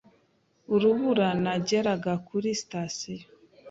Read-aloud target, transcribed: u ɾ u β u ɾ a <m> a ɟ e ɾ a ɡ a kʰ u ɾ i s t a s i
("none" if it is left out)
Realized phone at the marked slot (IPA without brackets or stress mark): n